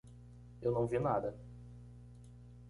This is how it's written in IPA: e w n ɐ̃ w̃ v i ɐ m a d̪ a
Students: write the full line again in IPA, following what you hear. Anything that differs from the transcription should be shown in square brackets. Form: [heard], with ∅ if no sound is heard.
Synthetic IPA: e w n ɐ̃ w̃ v i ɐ [n] a d̪ [ɐ]